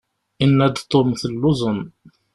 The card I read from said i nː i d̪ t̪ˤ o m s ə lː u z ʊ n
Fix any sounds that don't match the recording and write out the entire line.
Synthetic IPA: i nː æ d̪ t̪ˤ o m θ ə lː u z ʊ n